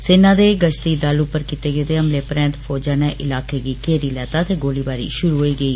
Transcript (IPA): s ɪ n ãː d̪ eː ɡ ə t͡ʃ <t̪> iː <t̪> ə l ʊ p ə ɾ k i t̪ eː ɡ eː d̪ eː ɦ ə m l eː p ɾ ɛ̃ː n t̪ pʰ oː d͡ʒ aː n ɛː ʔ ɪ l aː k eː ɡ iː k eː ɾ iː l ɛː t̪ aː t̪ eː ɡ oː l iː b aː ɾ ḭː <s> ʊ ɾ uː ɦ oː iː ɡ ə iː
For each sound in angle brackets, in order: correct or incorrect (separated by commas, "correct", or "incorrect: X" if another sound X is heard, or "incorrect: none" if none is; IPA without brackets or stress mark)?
correct, incorrect: d̪, incorrect: ʃ